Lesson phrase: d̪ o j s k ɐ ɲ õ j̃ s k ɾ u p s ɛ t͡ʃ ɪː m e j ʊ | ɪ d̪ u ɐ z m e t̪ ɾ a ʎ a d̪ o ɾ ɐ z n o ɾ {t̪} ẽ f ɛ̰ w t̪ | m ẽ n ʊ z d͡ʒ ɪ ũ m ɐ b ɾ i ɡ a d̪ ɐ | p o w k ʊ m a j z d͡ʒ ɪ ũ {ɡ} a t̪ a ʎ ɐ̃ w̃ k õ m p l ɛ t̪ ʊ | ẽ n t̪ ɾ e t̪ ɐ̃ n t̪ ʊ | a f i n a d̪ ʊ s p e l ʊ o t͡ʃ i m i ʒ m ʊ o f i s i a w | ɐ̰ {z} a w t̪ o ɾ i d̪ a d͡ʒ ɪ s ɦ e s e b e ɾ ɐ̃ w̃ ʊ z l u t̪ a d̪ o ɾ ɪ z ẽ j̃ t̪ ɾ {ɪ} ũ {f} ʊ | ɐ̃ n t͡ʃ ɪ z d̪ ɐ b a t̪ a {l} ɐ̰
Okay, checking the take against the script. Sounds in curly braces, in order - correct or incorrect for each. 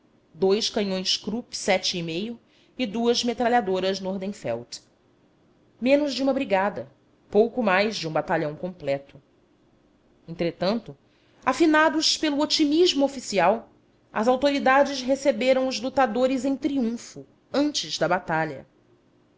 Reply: incorrect: d̪, incorrect: b, correct, incorrect: i, correct, incorrect: ʎ

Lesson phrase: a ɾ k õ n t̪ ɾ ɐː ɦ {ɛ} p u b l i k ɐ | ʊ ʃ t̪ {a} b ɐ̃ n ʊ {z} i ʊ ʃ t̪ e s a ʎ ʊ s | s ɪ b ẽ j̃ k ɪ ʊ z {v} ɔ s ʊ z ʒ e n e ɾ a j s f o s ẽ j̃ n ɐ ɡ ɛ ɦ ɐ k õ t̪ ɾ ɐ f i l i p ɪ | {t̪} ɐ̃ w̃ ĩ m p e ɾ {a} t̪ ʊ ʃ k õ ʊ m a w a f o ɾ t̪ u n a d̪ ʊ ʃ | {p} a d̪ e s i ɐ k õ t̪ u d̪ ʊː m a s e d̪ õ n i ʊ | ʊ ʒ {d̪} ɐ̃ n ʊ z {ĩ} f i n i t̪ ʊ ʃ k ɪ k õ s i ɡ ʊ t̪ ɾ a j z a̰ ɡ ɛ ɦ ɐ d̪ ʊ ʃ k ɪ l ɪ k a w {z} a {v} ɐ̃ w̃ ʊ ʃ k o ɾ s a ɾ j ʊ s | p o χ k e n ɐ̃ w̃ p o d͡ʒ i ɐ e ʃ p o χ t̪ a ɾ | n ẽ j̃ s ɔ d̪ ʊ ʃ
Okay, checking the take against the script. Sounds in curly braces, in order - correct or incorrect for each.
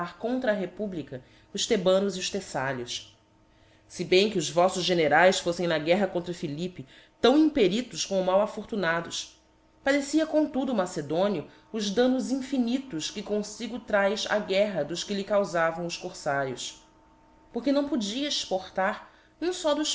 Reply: incorrect: e, incorrect: e, correct, correct, correct, incorrect: i, correct, correct, correct, correct, correct

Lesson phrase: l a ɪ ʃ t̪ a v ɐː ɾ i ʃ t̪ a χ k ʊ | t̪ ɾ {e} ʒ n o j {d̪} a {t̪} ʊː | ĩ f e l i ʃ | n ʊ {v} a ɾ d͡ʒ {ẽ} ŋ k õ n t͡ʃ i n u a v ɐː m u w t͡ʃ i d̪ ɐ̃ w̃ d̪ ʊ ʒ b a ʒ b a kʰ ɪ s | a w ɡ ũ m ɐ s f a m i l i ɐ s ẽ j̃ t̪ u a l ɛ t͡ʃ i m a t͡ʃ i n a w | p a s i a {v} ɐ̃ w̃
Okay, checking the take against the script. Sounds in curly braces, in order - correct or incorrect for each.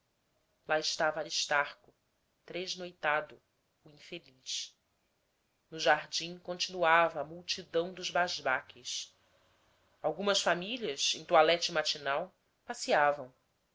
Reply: correct, incorrect: t̪, incorrect: d̪, incorrect: ʒ, incorrect: ĩ, correct

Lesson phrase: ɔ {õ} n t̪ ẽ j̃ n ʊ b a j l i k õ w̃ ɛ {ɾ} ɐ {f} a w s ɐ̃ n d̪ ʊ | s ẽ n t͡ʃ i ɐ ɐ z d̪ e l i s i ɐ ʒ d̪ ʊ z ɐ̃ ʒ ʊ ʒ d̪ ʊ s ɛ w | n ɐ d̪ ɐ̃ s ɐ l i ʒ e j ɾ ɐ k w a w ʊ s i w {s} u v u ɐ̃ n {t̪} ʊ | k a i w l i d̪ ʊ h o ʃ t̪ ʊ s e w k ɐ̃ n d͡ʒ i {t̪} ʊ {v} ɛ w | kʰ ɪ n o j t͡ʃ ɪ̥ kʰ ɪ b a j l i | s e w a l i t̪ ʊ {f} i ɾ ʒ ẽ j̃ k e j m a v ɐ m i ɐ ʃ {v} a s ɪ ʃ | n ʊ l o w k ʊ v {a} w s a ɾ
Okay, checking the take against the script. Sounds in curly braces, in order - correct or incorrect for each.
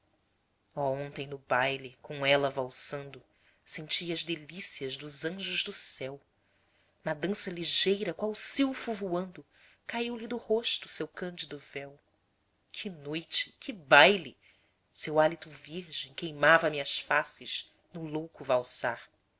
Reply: correct, incorrect: l, incorrect: v, incorrect: f, incorrect: d̪, incorrect: d̪, correct, incorrect: v, incorrect: f, correct

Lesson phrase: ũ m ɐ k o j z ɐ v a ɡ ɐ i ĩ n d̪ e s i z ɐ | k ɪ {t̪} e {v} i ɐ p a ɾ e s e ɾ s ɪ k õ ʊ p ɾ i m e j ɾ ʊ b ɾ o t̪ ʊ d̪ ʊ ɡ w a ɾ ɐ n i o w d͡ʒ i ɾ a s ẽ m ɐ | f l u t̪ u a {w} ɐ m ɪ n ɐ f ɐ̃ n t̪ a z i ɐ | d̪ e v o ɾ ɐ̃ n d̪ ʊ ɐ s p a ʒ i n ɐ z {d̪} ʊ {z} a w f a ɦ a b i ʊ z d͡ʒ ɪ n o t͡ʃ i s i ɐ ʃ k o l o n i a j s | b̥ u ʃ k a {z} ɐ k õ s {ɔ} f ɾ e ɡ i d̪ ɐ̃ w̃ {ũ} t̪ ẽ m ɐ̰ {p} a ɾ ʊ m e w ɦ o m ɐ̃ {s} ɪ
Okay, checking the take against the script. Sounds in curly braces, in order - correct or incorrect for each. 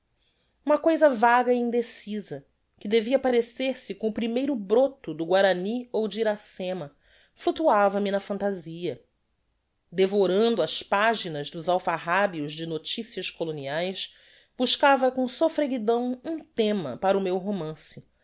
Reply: incorrect: d̪, correct, incorrect: v, correct, correct, incorrect: v, incorrect: o, correct, correct, correct

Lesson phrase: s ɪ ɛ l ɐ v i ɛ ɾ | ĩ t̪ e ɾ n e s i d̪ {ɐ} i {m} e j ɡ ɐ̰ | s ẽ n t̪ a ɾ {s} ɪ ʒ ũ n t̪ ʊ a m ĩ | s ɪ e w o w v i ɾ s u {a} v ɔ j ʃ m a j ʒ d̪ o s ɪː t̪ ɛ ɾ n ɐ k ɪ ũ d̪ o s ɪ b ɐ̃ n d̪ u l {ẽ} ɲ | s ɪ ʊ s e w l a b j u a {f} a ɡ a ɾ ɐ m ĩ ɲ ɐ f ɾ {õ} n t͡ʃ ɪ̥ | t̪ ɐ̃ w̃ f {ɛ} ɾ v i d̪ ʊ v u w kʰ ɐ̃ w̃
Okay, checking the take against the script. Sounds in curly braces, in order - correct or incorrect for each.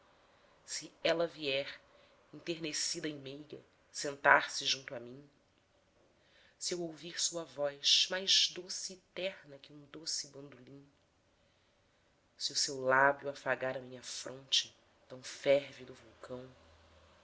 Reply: correct, correct, correct, incorrect: ɐ, incorrect: ĩ, correct, correct, correct

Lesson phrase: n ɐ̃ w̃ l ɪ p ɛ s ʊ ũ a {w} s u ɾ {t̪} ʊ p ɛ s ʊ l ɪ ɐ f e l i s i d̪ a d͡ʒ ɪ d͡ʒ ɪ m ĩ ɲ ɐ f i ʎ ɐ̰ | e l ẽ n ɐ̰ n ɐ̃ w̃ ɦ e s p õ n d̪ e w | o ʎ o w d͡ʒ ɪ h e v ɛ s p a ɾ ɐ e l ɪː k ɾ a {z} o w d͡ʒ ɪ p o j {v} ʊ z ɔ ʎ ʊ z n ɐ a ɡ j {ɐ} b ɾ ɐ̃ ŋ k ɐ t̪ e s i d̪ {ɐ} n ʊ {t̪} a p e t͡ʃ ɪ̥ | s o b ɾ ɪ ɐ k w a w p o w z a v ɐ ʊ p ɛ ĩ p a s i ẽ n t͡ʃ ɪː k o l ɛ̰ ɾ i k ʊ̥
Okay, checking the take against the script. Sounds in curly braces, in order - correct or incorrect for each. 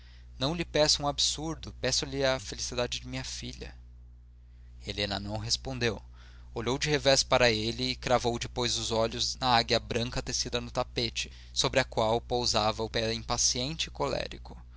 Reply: incorrect: b, incorrect: d̪, incorrect: v, incorrect: z, correct, correct, correct

